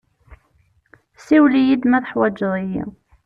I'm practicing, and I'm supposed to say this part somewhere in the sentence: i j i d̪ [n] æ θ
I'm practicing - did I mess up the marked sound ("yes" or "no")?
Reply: yes